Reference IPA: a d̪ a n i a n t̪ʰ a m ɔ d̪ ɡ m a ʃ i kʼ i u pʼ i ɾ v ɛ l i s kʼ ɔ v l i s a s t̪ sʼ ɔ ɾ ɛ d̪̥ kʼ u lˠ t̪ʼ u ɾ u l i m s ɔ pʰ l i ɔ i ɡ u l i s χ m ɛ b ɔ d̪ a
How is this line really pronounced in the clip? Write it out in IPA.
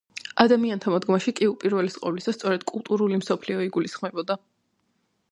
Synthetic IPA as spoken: a d̪ a m i a n t̪ʰ a m ɔ d̪ ɡ m a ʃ i kʼ i u pʼ i ɾ v ɛ l i s qʼ ɔ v l i s a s t̪ sʼ ɔ ɾ ɛ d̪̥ kʼ u lˠ t̪ʼ u ɾ u l i m s ɔ pʰ l i ɔ i ɡ u l i s χ m ɛ b ɔ d̪ a